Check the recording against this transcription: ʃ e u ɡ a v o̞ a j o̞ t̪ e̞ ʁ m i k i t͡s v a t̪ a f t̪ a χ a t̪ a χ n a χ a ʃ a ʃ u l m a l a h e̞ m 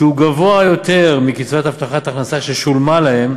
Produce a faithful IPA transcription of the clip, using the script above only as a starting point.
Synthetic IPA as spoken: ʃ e u ɡ a v o̞ a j o̞ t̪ e̞ ʁ m i k i t͡s v a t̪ a f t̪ a χ a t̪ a χ n a s a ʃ e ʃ u l m a l a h e̞ m